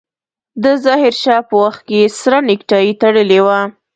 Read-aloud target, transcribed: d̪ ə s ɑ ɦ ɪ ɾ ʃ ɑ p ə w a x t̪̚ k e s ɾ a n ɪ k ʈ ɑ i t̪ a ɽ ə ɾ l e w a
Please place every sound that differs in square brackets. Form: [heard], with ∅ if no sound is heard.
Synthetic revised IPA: d̪ ə [z] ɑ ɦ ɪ ɾ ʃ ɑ p ə w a x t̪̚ k e s ɾ a n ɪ k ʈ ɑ i t̪ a ɽ ə [∅] l e w a